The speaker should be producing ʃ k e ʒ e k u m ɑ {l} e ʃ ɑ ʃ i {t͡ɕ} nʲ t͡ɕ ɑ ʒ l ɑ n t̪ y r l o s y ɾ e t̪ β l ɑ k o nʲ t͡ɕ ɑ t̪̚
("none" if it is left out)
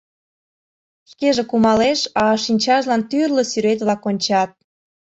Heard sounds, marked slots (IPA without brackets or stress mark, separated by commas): l, none